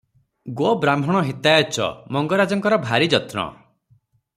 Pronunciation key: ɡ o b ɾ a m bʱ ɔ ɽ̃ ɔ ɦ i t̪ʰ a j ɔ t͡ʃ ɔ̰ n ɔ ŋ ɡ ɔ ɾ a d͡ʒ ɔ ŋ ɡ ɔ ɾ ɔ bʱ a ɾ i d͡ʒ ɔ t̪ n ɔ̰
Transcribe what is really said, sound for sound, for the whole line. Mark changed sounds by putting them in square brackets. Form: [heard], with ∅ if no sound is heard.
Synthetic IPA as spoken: ɡ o b ɾ a m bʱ ɔ ɽ̃ ɔ ɦ i [t̪] a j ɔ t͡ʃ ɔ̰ [m] ɔ ŋ ɡ ɔ ɾ a d͡ʒ ɔ ŋ [k] ɔ ɾ ɔ bʱ a ɾ i d͡ʒ ɔ t̪ n ɔ̰